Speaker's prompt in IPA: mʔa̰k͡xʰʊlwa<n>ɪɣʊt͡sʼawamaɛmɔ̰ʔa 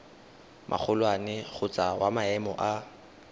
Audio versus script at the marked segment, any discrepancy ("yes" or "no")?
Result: no